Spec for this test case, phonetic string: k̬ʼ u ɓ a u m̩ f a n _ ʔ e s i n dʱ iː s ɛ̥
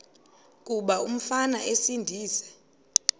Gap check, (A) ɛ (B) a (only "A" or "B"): B